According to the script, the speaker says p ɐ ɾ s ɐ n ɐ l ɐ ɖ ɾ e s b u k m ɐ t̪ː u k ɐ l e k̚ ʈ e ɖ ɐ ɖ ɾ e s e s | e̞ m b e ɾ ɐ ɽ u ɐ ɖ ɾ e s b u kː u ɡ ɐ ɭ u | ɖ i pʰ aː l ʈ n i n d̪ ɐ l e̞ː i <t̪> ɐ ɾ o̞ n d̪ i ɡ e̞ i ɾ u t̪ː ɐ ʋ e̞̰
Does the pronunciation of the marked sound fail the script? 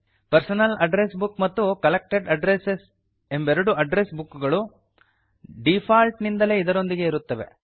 yes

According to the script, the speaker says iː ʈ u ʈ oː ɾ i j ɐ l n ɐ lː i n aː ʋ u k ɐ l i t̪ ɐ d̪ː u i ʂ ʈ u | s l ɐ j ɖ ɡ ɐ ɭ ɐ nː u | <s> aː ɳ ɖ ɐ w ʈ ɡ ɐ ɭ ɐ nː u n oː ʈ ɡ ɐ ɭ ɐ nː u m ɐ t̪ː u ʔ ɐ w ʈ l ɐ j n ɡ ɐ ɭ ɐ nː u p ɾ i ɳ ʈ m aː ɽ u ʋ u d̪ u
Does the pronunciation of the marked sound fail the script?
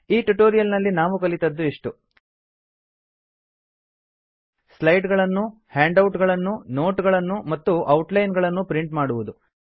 yes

